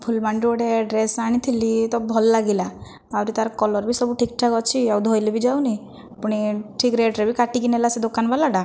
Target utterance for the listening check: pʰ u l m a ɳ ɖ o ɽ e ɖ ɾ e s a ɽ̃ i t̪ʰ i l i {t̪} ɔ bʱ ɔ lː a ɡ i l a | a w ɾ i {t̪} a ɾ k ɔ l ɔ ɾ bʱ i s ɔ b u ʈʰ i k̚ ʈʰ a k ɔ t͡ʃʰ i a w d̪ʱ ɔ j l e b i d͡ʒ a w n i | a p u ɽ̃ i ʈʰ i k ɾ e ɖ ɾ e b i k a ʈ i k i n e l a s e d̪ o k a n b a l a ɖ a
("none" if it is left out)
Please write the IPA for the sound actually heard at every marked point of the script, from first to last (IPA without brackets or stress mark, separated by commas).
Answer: t̪, t̪